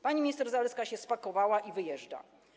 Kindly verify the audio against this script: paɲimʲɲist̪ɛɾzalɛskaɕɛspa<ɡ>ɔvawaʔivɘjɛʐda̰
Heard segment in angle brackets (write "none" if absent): k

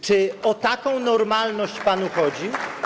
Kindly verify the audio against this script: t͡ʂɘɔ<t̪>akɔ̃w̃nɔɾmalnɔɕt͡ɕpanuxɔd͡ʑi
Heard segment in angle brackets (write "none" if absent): t̪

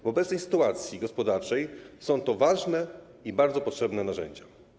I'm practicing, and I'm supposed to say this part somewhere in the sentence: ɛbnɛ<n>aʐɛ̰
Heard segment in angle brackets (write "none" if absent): n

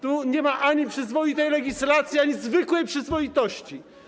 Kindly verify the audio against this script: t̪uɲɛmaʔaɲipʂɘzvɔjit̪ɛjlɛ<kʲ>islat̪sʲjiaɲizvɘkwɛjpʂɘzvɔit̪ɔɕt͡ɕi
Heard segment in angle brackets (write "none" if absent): ɡʲ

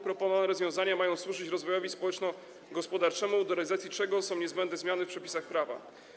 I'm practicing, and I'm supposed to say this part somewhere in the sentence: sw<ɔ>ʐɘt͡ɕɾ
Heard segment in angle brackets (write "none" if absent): u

